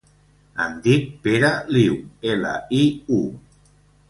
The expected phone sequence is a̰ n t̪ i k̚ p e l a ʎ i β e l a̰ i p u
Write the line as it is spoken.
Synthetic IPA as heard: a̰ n d̪ i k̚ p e ɾ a l i w e l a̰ i u